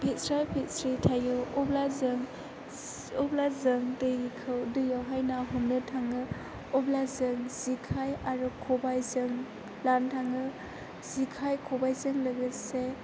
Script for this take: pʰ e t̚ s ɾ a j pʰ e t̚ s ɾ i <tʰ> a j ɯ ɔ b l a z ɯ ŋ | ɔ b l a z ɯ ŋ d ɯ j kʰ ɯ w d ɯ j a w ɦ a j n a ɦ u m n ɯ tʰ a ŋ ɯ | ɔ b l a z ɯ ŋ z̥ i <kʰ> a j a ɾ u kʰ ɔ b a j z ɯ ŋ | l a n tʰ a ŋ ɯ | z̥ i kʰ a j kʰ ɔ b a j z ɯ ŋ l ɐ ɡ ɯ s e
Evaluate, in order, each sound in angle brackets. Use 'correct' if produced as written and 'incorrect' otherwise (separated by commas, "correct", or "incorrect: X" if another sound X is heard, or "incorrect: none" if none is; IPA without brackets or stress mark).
correct, correct